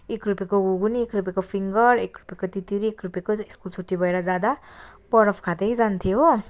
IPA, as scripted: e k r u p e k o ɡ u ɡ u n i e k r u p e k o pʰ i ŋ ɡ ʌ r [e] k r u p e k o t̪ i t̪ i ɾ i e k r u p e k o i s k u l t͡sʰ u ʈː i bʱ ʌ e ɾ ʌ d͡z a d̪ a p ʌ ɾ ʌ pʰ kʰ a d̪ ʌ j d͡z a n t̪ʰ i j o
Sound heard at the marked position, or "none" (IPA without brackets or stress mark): e